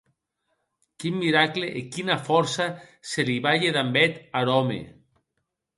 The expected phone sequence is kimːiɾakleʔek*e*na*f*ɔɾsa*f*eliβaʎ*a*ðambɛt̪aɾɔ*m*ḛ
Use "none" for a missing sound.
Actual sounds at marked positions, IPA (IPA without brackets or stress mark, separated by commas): i, f, s, e, m